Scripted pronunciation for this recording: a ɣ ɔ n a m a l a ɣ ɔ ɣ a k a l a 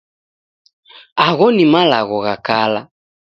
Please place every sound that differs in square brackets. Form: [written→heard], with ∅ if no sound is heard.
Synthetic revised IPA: a ɣ ɔ n [a→i] m a l a ɣ ɔ ɣ a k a l a